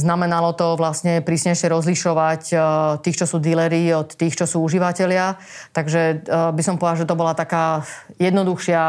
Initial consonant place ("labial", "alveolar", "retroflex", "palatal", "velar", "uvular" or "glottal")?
alveolar